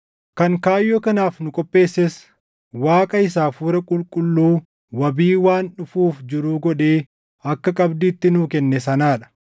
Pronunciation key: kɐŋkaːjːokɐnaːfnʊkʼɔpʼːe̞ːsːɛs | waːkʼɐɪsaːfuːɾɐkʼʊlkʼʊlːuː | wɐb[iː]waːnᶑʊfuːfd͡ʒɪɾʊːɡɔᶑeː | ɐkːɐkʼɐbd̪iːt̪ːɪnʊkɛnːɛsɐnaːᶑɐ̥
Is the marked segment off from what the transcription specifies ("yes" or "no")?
no